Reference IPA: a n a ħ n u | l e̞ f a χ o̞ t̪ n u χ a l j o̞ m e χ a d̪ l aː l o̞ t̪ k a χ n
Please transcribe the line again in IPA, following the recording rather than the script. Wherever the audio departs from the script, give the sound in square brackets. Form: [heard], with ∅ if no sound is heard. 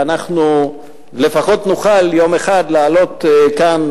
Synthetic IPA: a n a [χ] n u | l e̞ f a χ o̞ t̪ n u χ a l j o̞ m e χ a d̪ l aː l o̞ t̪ k a [∅] n

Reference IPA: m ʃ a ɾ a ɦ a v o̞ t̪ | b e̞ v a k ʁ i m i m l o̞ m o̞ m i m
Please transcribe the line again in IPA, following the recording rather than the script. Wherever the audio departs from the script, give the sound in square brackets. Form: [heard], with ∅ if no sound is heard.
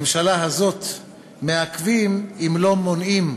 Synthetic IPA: m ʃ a [l] a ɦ a [z] o̞ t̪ | [m] e̞ [∅] a k [v] i m i m l o̞ m o̞ [n] i m

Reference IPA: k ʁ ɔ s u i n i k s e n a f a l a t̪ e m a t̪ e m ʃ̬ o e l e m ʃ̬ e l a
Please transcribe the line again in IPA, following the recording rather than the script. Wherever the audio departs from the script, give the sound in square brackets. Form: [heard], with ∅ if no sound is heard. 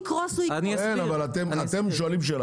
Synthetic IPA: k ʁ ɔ s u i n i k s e n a [v] a l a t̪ e m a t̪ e m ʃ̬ o [a] l [i] m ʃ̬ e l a

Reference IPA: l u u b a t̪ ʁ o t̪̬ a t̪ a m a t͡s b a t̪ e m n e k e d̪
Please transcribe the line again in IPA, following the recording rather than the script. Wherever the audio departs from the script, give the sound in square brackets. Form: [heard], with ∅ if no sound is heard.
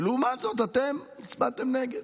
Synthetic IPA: l u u [m] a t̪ [z] o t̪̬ a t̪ [e] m [i] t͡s b a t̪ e m n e [ɡ] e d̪

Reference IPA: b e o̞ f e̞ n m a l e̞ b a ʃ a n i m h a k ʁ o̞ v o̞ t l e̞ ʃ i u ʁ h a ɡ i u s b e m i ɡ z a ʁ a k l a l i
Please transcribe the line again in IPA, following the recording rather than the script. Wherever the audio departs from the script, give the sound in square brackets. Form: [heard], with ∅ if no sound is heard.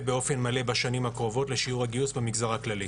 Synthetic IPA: b e o̞ f e̞ n m a l e̞ b a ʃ a n i m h a k ʁ o̞ v o̞ t l e̞ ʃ i u ʁ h a ɡ i u s b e m i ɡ z a ʁ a k l a l i

